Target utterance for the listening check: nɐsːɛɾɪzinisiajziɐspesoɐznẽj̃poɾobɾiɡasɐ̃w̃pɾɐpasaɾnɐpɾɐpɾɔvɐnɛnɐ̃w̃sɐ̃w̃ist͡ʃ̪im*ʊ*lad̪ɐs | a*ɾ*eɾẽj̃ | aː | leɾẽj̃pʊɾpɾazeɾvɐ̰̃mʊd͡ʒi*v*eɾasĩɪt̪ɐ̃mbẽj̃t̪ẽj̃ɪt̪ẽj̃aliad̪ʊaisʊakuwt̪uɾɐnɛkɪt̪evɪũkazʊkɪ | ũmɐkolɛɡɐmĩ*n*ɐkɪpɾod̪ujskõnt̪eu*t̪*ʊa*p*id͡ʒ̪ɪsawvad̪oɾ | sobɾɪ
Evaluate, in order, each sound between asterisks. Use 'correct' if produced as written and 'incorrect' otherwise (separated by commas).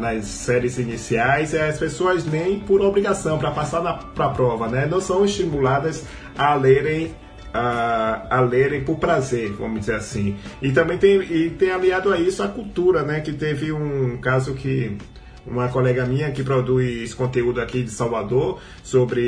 incorrect, incorrect, incorrect, incorrect, incorrect, incorrect